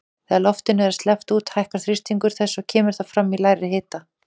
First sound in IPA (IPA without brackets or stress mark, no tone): θ